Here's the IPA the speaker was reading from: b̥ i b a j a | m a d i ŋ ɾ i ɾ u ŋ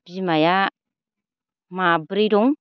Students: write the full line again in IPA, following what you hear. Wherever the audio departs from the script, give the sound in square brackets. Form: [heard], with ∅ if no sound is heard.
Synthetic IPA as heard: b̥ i [m] a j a | m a [b] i [∅] ɾ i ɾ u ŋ